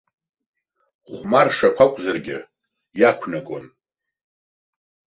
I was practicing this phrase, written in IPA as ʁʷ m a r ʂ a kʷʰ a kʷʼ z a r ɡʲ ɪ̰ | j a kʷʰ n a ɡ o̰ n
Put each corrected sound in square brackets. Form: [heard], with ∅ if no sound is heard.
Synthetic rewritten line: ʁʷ m a r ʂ a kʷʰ a kʷʼ z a r ɡʲ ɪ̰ | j a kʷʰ n a ɡ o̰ n